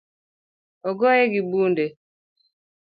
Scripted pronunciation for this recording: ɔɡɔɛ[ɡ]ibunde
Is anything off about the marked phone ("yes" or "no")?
no